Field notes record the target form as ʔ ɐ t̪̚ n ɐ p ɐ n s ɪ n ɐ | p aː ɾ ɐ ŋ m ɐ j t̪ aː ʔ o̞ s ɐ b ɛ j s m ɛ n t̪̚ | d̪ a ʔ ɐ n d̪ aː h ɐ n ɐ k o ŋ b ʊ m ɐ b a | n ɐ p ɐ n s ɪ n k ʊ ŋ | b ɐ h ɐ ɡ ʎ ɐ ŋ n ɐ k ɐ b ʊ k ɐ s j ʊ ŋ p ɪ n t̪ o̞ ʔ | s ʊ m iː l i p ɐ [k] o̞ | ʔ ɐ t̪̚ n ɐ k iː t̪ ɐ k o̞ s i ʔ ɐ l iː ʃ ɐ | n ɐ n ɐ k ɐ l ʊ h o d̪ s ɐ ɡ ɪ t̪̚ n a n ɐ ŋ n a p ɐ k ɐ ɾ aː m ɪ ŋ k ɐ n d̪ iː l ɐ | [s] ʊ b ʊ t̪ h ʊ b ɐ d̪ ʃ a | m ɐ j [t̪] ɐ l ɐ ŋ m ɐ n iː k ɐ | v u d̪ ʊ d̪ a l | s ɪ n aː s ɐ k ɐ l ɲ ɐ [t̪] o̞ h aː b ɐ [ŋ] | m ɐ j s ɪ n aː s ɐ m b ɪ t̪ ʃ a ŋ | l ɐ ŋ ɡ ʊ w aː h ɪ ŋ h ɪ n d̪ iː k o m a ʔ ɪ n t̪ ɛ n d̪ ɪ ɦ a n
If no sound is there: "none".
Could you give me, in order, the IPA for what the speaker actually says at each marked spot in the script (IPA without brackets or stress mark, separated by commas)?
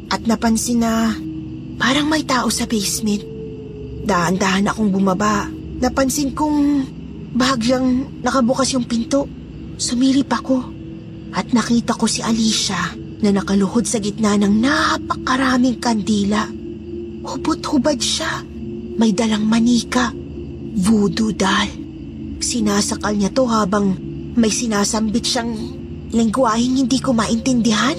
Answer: k, h, d̪, t̪, ŋ